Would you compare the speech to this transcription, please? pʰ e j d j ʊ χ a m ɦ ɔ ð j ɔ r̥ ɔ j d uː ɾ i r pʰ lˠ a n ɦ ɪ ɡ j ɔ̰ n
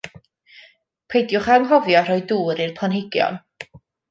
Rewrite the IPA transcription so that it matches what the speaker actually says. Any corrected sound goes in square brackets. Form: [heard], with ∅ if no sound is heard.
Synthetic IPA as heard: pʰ e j d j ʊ χ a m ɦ ɔ [v] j ɔ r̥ ɔ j d uː ɾ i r pʰ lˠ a n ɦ ɪ ɡ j ɔ̰ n